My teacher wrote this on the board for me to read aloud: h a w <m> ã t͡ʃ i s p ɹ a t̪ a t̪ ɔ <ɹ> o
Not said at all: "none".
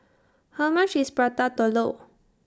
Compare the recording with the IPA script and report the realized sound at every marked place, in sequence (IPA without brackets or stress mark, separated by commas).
m, l